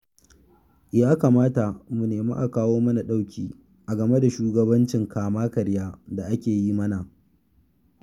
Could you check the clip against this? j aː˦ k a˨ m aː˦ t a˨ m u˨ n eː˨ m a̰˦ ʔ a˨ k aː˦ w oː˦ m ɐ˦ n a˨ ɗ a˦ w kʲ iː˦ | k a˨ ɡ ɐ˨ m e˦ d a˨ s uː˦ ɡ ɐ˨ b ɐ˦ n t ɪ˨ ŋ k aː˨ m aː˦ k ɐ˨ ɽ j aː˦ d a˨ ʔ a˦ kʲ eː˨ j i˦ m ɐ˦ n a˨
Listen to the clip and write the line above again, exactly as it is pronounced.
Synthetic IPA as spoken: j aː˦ k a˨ m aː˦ t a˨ m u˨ n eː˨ m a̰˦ ʔ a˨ k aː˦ w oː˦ m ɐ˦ n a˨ ɗ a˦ w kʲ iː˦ | ʔ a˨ ɡ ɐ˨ m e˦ d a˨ ʃ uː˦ ɡ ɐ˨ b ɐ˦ n t͡ʃ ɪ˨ ŋ k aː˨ m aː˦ k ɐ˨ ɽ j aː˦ d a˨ ʔ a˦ kʲ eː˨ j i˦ m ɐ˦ n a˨